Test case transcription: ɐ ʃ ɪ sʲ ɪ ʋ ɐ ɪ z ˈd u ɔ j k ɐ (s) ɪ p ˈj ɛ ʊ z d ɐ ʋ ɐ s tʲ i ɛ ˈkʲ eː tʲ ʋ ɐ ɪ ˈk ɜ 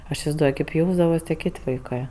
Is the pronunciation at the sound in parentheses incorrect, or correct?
incorrect